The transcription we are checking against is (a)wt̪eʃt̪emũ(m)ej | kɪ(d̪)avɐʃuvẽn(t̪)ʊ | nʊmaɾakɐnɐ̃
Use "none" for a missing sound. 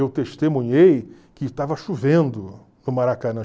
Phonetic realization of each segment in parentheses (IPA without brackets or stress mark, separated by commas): e, ɲ, t̪, d̪